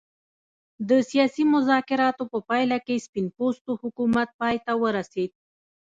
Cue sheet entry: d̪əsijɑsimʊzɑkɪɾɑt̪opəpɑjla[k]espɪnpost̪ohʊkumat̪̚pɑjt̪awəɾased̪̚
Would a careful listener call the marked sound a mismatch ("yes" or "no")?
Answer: no